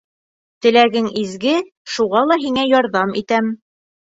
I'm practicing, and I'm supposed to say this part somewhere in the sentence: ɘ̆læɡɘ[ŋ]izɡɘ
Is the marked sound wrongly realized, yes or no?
no